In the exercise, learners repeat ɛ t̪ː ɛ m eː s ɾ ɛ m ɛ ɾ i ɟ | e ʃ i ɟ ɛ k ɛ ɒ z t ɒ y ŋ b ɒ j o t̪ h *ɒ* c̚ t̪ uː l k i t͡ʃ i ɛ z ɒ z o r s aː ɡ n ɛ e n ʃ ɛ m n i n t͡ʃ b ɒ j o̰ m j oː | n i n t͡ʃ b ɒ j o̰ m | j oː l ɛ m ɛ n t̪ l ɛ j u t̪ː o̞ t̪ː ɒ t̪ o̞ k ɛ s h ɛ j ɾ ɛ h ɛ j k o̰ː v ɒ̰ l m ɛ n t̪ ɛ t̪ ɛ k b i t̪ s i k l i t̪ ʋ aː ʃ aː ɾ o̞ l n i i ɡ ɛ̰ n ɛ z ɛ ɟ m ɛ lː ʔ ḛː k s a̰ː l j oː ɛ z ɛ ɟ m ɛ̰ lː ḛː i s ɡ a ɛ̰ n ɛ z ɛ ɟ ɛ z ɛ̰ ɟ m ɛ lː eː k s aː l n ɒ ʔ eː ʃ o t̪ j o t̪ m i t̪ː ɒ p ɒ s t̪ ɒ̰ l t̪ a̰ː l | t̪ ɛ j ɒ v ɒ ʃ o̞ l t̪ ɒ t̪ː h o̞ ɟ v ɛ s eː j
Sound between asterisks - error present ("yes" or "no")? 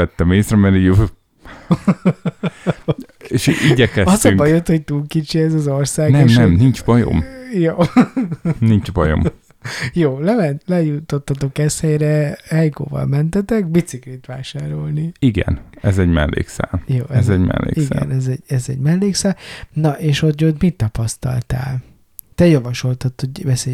yes